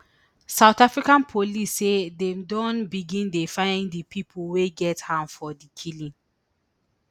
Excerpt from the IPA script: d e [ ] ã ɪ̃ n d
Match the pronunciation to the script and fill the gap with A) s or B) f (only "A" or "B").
B